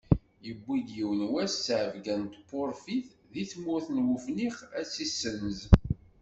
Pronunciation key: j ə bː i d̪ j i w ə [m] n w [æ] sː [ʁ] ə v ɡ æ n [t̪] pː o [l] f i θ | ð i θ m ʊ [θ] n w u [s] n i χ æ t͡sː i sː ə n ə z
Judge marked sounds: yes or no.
no, yes, no, yes, no, yes, no

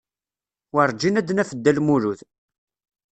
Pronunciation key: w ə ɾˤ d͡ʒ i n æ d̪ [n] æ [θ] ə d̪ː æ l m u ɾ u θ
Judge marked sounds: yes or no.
yes, no

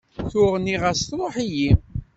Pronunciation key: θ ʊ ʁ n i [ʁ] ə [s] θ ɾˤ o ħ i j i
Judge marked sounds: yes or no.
yes, yes

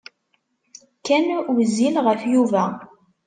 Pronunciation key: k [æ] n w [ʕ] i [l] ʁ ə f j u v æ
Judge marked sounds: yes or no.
yes, no, yes

